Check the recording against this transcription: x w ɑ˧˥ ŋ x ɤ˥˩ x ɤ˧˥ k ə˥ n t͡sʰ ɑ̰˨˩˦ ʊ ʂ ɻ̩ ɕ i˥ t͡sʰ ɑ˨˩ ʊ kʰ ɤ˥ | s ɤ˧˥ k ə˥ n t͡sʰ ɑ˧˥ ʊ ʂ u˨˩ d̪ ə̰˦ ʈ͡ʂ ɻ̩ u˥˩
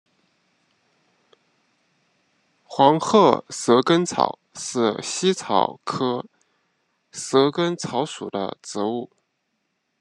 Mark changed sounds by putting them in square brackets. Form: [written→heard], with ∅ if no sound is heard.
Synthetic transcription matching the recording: x w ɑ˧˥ ŋ x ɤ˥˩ [x→s] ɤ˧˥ k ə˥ n t͡sʰ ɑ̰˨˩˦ ʊ ʂ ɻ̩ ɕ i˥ t͡sʰ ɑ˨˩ ʊ kʰ ɤ˥ | s ɤ˧˥ k ə˥ n t͡sʰ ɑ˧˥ ʊ ʂ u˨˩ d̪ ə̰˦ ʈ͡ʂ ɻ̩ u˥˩